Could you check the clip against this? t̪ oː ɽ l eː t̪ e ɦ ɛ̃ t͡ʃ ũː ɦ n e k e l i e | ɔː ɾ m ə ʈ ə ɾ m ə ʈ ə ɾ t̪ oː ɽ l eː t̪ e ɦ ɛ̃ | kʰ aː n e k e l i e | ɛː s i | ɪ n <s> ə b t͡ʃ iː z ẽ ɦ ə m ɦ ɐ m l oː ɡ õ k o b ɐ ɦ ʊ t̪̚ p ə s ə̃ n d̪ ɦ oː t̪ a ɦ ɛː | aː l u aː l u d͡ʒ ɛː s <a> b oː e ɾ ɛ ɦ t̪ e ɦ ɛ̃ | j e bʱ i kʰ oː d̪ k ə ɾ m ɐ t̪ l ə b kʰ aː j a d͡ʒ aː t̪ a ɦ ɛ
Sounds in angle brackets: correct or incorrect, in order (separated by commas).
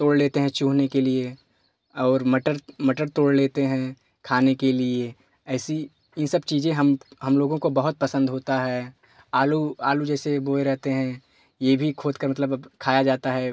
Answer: correct, incorrect